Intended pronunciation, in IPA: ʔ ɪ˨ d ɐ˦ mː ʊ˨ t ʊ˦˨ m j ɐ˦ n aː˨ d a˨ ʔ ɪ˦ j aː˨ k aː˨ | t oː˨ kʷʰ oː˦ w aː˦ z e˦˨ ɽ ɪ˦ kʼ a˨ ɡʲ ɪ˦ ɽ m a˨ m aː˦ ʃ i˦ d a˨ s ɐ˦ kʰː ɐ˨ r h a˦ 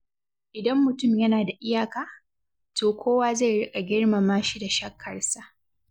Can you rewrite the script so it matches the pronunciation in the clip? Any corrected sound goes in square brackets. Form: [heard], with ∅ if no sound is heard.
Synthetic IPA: ʔ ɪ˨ d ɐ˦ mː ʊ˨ t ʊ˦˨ m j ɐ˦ n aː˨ d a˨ ʔ ɪ˦ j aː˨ k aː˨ | t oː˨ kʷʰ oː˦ w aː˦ z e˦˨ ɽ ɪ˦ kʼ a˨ ɡʲ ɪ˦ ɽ m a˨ m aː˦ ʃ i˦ d a˨ [ʃ] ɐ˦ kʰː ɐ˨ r [s] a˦